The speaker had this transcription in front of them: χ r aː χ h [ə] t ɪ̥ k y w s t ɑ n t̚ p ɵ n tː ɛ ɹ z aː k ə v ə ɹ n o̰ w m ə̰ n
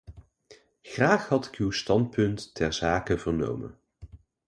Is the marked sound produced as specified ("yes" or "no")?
no